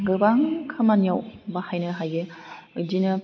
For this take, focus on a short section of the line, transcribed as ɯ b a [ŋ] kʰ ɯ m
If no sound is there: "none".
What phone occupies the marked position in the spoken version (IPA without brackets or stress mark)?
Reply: ŋ